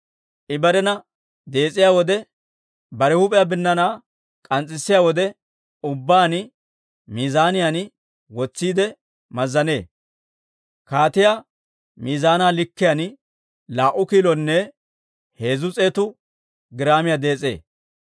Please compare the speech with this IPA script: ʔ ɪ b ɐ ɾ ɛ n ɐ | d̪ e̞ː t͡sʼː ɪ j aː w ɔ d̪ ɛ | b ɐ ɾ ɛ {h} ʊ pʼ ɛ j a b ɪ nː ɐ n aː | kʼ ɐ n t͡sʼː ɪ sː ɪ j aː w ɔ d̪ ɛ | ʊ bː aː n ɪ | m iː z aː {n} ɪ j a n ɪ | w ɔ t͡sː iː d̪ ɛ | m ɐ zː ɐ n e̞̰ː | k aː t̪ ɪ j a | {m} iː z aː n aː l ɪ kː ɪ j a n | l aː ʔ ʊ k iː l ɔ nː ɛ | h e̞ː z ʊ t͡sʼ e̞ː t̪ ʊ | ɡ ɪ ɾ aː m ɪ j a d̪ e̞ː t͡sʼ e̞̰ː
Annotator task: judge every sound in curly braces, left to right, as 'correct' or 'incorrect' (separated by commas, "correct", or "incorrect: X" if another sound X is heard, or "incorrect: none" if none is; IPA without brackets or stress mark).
correct, correct, correct